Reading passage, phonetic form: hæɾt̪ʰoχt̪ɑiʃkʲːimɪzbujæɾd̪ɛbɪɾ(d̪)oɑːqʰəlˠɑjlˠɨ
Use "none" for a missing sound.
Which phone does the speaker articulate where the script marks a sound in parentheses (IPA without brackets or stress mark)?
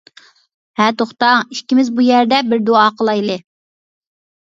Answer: d̪